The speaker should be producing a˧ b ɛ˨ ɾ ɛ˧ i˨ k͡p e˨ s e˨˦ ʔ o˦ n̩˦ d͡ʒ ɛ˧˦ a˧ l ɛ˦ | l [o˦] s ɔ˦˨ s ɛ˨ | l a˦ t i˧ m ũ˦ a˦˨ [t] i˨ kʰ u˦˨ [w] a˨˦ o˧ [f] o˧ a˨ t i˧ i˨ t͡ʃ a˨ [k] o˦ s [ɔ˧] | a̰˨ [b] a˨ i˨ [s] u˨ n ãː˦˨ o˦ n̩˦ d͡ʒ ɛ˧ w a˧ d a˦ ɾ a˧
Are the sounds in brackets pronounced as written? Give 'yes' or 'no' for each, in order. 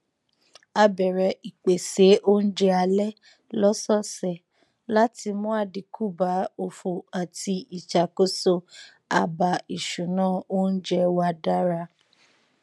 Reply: no, no, no, yes, yes, no, yes, no

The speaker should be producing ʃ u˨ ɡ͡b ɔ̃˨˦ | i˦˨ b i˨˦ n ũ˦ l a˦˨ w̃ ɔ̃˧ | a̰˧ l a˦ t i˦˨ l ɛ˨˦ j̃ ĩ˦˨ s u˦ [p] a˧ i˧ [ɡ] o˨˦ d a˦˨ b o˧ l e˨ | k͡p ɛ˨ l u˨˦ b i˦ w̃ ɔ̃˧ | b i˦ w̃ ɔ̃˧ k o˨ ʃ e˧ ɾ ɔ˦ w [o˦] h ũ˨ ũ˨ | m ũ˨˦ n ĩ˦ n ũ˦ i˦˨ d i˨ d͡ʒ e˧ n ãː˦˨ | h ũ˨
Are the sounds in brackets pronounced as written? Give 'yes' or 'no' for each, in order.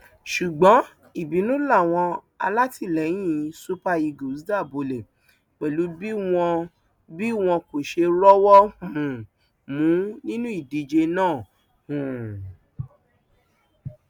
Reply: yes, yes, no

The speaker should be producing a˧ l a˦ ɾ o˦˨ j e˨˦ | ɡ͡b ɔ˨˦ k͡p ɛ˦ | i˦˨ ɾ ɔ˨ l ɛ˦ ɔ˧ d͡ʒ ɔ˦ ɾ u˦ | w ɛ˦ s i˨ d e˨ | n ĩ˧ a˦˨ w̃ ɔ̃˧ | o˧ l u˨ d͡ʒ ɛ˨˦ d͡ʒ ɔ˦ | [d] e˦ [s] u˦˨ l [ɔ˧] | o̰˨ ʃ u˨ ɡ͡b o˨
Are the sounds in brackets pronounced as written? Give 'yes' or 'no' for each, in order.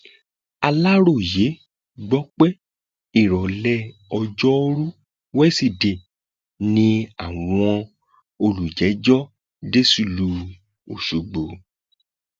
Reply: yes, yes, no

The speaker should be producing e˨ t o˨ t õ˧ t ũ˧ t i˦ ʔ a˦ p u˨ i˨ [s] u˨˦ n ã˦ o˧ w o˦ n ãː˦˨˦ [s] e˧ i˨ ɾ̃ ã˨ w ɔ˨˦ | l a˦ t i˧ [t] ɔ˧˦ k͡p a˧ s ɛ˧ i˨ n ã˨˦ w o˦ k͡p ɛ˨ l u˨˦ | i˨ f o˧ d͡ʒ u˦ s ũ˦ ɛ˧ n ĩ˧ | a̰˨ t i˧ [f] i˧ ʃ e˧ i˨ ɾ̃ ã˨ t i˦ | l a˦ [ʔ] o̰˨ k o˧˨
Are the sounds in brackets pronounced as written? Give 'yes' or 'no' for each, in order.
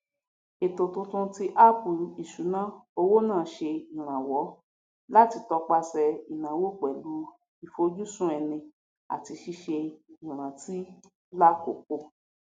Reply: no, no, yes, no, no

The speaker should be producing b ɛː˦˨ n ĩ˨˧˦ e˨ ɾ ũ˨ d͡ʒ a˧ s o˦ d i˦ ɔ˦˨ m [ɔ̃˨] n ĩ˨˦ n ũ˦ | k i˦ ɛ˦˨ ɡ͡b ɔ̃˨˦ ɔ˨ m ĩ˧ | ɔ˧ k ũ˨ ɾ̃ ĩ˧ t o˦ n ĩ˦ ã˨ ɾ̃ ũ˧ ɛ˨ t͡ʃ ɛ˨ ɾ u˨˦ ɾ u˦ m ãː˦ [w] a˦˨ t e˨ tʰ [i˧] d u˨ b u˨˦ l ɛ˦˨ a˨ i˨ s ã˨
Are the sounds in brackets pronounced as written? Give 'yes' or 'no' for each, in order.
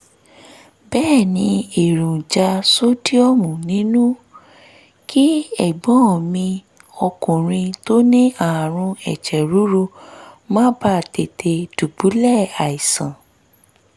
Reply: no, no, no

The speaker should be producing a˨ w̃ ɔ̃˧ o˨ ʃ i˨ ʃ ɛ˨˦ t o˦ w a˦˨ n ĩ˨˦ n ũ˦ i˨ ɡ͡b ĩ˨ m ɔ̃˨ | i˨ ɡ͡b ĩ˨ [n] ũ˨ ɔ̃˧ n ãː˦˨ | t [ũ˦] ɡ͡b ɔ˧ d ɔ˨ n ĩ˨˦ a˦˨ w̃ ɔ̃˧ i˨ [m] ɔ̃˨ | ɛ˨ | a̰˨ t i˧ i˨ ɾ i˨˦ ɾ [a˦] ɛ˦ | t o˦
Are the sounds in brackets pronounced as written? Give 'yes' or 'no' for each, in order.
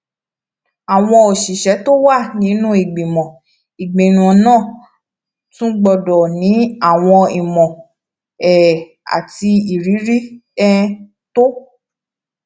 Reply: yes, yes, yes, no

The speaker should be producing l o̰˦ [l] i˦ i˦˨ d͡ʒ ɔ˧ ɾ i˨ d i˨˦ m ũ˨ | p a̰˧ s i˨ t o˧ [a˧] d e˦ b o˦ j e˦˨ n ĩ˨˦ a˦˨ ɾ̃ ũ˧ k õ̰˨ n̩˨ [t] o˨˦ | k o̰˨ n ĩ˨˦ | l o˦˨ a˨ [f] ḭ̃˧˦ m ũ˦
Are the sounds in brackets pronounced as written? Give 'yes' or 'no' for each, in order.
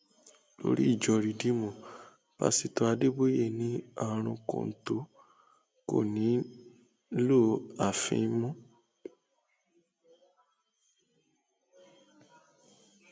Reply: no, yes, yes, yes

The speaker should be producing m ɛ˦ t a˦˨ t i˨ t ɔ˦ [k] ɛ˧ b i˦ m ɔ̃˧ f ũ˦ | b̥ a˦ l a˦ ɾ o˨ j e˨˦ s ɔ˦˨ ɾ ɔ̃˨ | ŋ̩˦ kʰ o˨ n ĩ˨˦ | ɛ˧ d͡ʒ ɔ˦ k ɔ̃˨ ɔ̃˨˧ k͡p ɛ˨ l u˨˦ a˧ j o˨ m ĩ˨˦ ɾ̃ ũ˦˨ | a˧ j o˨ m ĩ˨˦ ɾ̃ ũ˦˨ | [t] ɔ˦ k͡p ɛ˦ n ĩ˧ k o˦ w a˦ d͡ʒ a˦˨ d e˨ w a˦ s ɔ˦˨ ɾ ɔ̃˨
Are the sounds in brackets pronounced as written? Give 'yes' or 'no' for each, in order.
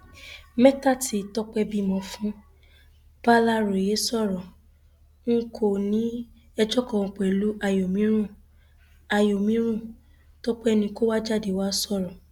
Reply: no, yes

